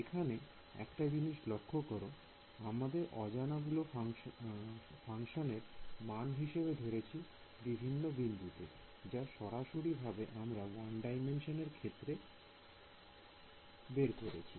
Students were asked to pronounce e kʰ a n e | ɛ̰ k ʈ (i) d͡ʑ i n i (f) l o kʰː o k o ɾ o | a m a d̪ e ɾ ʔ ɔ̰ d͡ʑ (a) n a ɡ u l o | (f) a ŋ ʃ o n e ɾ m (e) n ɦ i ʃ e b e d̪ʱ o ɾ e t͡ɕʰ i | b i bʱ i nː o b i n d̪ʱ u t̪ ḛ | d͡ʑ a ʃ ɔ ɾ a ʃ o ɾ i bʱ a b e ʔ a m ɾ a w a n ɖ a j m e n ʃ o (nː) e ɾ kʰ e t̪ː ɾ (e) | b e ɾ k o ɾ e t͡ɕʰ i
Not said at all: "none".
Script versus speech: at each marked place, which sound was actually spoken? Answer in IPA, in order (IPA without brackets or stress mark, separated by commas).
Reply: a, ʃ, a, f, a, n, e